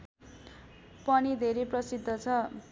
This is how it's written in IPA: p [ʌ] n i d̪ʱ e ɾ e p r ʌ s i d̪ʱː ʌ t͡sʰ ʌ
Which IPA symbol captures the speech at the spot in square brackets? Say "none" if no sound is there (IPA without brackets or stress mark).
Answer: ʌ